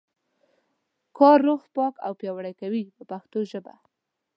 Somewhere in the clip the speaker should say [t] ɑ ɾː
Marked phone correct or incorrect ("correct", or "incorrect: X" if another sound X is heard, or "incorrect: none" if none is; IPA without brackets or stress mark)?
incorrect: k